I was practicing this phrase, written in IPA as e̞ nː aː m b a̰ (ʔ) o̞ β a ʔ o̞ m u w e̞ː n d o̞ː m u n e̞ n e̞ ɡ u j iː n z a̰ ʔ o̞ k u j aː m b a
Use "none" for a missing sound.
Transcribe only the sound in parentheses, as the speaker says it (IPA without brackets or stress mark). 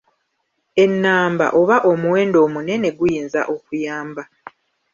ʔ